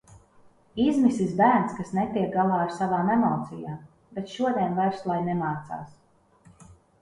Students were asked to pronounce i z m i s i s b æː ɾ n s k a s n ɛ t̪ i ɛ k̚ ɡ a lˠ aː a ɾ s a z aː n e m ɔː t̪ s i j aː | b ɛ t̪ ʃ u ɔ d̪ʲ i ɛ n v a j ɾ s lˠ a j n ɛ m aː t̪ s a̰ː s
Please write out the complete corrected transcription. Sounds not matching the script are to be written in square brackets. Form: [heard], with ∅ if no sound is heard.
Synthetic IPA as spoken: i z m i s i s b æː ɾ n s k a s n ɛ t̪ i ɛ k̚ ɡ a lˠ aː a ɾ s a [v] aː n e m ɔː t̪ s i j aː | b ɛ t̪ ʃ u ɔ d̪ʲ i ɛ n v a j ɾ s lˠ a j n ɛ m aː t̪ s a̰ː s